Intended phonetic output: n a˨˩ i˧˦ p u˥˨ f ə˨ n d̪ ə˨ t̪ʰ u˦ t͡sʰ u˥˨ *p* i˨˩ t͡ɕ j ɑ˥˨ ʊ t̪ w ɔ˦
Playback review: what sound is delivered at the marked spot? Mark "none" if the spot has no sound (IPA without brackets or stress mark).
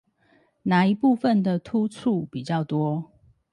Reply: p